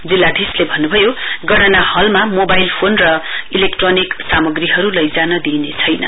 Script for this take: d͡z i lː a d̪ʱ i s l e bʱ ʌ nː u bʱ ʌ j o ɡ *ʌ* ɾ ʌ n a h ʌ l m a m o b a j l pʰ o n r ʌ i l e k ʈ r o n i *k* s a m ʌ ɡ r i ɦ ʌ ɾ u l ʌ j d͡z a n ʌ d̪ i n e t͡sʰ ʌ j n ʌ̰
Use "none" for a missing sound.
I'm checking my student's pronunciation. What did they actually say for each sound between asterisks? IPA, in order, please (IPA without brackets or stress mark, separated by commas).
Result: ʌ, k